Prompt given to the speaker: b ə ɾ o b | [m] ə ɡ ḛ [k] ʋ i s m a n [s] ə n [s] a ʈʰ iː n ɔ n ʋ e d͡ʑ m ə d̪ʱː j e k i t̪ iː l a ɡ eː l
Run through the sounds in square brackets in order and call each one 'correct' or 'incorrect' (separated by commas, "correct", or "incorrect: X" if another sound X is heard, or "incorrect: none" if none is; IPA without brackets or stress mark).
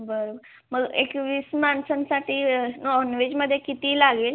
correct, correct, correct, correct